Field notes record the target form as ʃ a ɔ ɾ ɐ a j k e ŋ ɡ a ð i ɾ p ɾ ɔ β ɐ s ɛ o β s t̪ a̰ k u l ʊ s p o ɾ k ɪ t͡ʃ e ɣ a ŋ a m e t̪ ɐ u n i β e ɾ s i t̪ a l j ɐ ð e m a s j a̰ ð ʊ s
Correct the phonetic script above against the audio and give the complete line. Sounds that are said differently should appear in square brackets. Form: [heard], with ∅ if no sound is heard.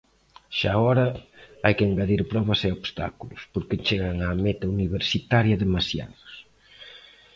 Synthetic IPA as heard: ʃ a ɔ ɾ ɐ a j k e ŋ ɡ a ð i ɾ p ɾ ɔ β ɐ s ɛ o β s t̪ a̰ k u l ʊ s p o ɾ k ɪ t͡ʃ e ɣ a ŋ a m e t̪ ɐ u n i β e ɾ s i t̪ a [ɾ] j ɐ ð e m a s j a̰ ð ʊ s